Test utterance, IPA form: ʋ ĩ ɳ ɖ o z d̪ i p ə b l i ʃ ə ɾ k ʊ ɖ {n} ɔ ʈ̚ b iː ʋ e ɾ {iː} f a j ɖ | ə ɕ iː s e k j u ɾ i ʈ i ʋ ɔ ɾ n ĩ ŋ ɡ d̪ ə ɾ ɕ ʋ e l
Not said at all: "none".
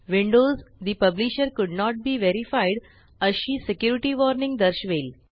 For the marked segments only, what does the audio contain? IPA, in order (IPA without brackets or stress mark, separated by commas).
n, i